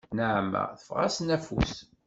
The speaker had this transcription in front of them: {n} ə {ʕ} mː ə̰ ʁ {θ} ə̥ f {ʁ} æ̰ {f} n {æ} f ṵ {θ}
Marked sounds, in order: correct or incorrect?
correct, correct, correct, correct, incorrect: s, correct, incorrect: s

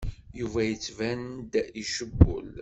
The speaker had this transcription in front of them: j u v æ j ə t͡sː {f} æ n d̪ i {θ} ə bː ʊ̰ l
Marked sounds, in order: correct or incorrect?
incorrect: v, incorrect: ʃ

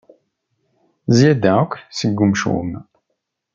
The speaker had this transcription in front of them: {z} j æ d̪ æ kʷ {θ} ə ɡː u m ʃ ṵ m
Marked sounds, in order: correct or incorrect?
correct, incorrect: s

